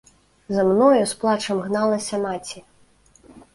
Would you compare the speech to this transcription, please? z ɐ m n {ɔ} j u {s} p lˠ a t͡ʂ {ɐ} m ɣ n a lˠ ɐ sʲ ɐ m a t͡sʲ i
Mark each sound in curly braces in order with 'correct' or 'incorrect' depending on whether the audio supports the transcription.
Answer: correct, correct, correct

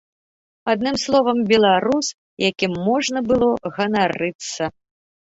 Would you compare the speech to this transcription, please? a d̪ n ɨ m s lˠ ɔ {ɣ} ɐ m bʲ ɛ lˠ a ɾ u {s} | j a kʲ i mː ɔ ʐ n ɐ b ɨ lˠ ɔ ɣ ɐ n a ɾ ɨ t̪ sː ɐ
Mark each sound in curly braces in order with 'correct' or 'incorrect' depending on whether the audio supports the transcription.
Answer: incorrect: v, correct

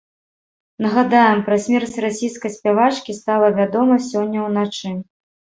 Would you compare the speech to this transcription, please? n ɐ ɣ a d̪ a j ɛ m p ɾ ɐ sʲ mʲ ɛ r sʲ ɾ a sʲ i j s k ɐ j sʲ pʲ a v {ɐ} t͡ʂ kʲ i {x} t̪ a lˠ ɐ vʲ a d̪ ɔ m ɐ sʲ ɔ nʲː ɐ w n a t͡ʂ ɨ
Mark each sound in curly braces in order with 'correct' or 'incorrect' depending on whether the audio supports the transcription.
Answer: incorrect: a, incorrect: s

